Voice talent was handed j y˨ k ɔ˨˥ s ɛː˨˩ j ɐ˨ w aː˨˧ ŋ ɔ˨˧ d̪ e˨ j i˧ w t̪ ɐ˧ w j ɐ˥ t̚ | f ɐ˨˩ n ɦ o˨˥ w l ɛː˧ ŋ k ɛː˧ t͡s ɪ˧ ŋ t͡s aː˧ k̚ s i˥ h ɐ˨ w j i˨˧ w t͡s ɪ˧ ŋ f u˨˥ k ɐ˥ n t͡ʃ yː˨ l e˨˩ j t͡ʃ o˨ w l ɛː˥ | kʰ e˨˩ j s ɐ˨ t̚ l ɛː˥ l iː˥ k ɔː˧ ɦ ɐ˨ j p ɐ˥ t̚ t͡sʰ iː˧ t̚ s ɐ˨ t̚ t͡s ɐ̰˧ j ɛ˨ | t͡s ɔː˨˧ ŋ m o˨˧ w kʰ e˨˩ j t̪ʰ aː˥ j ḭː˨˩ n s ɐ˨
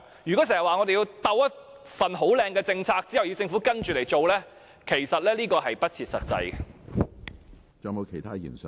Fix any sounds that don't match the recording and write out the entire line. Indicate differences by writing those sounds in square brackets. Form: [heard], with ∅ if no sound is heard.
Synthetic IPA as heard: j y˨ k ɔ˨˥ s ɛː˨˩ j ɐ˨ w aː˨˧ ŋ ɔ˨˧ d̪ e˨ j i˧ w t̪ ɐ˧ w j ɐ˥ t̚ | f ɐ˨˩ n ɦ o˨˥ w l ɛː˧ ŋ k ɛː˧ t͡s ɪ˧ ŋ [t͡sʰ] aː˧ k̚ [t͡s] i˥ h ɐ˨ w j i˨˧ w t͡s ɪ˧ ŋ f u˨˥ k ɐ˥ n t͡ʃ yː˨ l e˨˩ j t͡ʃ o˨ w l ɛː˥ | kʰ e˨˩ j s ɐ˨ t̚ l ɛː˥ l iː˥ k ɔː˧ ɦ ɐ˨ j p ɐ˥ t̚ t͡sʰ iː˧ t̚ s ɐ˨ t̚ t͡s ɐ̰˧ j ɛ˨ | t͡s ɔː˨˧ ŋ m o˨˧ w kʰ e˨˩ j t̪ʰ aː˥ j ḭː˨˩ n s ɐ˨